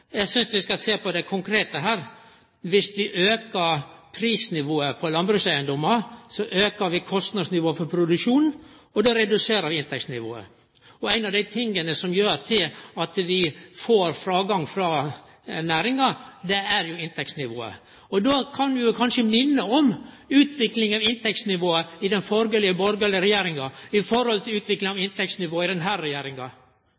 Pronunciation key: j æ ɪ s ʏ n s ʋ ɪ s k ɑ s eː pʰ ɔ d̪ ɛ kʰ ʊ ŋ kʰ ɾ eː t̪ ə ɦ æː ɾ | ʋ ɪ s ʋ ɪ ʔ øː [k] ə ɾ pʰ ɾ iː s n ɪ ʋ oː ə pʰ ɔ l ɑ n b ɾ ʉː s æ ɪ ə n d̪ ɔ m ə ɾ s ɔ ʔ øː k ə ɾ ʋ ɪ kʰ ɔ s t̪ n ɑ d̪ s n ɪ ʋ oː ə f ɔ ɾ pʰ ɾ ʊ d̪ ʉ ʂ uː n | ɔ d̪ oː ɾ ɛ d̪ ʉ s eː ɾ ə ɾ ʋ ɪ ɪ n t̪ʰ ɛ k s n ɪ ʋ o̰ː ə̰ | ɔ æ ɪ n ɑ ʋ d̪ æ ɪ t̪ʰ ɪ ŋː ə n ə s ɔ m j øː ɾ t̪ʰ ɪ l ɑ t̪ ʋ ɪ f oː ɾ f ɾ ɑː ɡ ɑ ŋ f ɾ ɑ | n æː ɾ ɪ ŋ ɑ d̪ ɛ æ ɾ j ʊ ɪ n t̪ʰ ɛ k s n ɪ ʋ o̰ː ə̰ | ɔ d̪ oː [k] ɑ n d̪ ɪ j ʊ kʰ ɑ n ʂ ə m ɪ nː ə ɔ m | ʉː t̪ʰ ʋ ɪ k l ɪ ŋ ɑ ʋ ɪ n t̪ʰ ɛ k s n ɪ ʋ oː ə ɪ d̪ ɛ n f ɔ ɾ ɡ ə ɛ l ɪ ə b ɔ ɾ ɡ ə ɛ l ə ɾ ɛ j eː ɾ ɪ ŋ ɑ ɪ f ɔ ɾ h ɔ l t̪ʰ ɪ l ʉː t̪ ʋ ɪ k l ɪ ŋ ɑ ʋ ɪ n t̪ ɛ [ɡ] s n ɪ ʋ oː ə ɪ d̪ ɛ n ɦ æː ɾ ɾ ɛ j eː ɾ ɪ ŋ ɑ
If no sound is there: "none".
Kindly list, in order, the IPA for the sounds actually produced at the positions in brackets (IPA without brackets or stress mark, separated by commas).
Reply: k, kʰ, k